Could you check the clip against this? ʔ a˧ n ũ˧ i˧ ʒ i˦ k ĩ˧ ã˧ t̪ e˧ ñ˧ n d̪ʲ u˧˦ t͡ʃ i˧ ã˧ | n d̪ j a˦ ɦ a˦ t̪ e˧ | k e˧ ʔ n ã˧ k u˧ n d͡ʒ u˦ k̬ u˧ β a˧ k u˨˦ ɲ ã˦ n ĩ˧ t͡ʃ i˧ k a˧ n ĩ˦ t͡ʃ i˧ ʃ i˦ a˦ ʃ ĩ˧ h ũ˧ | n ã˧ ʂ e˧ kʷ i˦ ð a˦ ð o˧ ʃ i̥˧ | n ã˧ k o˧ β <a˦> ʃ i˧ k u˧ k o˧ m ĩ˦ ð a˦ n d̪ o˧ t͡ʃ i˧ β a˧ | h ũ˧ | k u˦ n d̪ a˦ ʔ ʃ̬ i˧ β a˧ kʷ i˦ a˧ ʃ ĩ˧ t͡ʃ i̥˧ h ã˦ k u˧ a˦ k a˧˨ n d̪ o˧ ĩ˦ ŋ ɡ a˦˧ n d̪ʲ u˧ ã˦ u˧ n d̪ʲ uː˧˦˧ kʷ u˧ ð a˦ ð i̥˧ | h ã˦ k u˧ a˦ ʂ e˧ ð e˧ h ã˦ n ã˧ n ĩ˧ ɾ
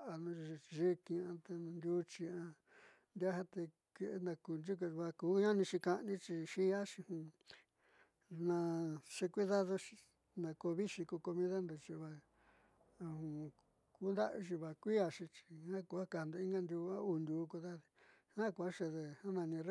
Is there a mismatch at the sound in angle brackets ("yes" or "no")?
yes